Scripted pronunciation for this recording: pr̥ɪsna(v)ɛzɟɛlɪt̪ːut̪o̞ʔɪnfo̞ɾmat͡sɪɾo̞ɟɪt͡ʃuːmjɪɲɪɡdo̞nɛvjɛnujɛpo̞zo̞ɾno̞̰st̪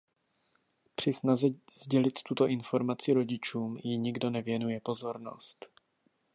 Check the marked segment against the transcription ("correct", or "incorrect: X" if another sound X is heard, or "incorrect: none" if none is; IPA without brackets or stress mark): incorrect: z